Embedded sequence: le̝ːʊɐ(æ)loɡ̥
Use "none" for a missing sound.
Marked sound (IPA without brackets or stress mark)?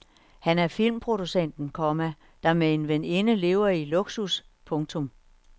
i